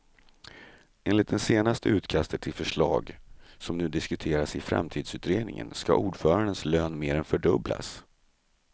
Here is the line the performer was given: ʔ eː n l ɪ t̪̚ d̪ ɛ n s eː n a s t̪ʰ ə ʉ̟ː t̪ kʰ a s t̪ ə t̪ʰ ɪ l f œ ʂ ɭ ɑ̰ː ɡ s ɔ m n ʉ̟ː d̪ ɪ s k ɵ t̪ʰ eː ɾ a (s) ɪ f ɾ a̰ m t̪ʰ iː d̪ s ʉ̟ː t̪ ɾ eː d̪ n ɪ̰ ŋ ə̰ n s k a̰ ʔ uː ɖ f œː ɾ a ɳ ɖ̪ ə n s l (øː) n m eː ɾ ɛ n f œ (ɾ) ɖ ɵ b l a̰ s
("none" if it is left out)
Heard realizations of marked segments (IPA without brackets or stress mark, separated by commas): s, øː, none